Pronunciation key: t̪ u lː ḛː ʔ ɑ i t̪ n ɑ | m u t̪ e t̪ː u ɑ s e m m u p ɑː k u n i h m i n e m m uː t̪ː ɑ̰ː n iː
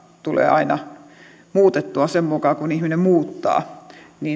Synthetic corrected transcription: t̪ u l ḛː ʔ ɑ i n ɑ | m uː t̪ e t̪ː u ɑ s e m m u k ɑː k u n i h m i n e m m uː t̪ː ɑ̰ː n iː